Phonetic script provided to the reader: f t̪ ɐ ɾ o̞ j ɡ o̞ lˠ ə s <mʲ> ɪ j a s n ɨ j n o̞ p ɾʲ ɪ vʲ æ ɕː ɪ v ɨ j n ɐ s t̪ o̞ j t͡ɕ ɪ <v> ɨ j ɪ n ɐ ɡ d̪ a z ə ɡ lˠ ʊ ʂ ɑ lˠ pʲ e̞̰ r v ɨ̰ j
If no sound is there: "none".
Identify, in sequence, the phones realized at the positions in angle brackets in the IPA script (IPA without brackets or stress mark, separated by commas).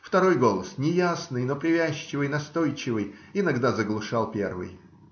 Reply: nʲ, v